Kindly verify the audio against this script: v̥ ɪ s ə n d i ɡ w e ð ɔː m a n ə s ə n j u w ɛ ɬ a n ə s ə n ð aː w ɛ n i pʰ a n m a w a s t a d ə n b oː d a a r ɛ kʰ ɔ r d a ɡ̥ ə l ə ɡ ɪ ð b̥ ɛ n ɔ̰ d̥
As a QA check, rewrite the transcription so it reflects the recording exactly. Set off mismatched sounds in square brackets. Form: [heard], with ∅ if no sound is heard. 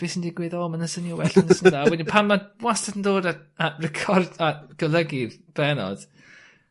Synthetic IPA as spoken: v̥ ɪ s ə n d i ɡ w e ð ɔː m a n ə s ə n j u w ɛ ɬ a n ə s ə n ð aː w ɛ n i pʰ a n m a w a s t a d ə n [d] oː d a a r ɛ kʰ ɔ r d a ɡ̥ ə l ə ɡ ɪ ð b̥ ɛ n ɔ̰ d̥